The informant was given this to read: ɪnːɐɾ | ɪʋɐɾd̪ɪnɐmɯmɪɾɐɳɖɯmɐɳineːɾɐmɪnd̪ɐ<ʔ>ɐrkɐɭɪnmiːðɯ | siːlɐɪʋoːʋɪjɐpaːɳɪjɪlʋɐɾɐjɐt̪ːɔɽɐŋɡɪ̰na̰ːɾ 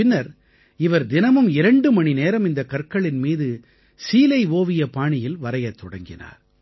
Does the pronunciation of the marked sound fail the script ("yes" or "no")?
yes